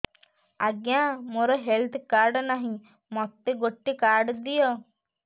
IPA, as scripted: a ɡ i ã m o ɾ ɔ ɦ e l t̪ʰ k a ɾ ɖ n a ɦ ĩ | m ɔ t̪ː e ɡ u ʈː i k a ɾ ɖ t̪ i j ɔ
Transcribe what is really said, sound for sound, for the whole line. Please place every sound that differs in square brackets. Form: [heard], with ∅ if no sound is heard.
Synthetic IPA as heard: a ɡ [j] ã m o ɾ ɔ ɦ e l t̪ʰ k a ɾ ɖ n a ɦ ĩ | m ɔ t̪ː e ɡ [o] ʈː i k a ɾ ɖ [d̪] i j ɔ